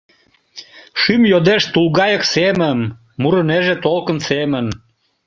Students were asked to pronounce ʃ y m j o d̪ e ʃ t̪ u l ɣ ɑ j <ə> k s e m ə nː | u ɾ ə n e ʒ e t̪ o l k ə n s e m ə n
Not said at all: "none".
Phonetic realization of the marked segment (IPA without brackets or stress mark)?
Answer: ə